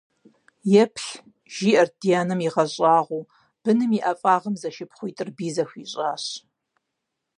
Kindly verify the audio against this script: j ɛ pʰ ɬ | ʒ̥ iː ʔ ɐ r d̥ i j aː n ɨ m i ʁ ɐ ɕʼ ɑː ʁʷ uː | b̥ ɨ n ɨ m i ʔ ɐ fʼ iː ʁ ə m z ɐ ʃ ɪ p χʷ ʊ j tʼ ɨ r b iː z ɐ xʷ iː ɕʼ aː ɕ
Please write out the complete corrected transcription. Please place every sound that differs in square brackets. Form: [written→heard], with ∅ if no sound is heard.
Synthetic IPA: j ɛ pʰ ɬ | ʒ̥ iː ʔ ɐ r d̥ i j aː n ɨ m i ʁ ɐ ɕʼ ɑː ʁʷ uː | b̥ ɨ n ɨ m i ʔ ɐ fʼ [iː→aː] ʁ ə m z ɐ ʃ ɪ p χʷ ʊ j tʼ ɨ r b iː z ɐ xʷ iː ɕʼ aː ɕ